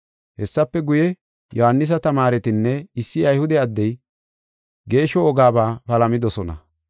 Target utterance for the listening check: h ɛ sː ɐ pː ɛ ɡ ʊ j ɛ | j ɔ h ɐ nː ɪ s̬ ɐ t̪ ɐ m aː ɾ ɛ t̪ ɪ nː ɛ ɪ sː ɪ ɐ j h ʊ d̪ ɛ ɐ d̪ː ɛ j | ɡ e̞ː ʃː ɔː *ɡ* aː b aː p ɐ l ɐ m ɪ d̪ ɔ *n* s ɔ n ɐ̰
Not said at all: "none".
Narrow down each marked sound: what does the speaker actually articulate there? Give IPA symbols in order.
ɡ, none

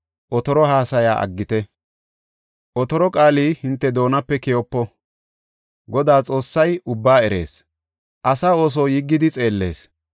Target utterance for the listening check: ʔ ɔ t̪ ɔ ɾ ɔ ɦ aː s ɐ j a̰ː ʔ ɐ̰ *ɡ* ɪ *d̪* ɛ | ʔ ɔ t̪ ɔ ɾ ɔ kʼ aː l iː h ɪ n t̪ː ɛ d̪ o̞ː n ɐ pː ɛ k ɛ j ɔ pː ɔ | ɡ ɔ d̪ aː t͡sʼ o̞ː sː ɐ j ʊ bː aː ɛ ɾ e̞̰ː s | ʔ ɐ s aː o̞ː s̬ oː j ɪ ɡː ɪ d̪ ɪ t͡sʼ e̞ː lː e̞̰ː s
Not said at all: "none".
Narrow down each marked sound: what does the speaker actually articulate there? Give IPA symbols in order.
ɡː, t̪

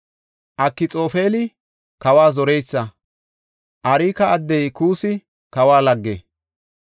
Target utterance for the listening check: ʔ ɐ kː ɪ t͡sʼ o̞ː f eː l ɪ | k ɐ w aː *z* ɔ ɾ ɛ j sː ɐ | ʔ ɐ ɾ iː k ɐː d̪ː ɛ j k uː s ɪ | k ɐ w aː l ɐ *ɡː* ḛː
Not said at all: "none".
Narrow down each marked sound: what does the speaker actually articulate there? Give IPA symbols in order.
z, ɡː

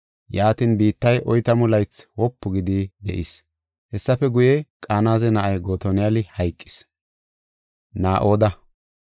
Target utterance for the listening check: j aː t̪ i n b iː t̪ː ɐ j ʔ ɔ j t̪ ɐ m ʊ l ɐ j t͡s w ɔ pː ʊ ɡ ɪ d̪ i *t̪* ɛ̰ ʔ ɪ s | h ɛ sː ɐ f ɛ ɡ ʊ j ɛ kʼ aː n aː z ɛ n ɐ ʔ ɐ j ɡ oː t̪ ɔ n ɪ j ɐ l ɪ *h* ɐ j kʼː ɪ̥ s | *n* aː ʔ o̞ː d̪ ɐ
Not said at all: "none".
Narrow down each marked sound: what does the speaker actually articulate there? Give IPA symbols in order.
d̪, h, n

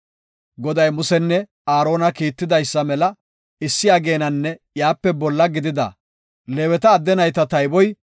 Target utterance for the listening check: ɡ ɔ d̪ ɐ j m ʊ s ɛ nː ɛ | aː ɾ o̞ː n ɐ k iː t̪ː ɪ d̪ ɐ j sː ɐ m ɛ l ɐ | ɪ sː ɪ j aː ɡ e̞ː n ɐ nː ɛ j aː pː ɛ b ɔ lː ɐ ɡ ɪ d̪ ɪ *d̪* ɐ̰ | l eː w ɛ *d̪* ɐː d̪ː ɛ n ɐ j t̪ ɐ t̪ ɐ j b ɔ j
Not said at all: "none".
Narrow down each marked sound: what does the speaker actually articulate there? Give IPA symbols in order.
d̪, t̪

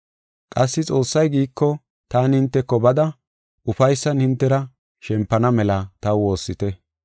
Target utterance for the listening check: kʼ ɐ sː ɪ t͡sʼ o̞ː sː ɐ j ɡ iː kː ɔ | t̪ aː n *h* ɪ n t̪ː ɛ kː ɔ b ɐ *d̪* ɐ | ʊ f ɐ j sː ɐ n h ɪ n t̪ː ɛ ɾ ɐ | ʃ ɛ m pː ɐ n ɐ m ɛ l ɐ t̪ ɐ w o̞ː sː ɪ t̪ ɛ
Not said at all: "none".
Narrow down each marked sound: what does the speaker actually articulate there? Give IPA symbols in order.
h, d̪

